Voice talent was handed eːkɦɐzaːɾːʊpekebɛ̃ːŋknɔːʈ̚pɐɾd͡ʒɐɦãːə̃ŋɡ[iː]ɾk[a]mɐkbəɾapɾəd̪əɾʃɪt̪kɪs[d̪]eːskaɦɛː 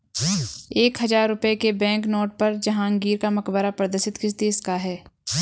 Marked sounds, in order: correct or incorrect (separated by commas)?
correct, correct, correct